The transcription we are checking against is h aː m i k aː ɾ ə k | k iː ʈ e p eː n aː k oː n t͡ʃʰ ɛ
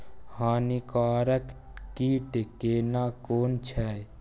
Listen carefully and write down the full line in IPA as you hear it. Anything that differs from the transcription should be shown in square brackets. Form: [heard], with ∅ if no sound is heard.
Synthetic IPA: h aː [n] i k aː ɾ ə k | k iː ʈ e [k] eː n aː k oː n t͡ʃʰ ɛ